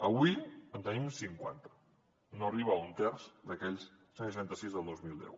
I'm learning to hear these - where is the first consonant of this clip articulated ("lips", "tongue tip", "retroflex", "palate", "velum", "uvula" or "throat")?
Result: lips